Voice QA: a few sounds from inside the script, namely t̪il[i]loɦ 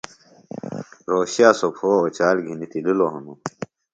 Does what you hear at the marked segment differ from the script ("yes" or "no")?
no